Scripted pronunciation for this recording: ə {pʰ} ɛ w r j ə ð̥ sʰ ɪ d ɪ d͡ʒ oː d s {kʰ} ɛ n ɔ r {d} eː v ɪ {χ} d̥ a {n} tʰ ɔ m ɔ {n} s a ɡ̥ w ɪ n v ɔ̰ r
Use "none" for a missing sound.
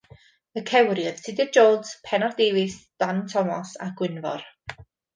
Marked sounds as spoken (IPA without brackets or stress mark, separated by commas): kʰ, pʰ, d, s, n, none